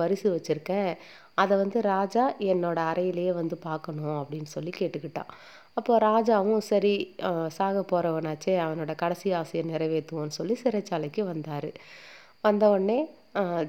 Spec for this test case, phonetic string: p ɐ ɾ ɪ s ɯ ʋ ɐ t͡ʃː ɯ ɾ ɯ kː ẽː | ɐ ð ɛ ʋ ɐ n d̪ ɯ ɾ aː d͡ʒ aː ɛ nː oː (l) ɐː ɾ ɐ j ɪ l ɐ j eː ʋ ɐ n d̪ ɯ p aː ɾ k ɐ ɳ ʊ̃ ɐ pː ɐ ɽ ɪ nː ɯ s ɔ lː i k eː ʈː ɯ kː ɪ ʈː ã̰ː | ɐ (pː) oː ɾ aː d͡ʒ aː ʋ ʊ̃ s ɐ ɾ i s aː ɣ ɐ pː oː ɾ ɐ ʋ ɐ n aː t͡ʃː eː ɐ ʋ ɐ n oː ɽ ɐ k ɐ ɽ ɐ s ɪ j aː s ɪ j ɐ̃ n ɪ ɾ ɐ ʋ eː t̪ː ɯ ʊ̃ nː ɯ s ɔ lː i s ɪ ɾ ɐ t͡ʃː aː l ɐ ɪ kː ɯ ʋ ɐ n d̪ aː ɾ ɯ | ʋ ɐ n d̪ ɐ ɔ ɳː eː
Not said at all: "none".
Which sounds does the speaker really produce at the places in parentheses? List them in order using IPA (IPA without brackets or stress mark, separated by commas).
ɽ, pː